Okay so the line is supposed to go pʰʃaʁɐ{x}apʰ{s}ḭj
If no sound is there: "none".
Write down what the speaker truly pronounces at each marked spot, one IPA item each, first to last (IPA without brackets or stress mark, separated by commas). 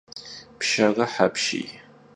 ħ, ʃ